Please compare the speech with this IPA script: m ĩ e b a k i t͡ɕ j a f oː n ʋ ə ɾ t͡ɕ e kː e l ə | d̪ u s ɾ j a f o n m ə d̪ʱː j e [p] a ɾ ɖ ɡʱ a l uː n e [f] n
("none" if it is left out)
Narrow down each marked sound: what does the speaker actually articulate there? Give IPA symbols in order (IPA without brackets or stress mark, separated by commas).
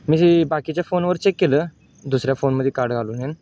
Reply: k, none